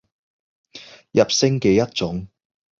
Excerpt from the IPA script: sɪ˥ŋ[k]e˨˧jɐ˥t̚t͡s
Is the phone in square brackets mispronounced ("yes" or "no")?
no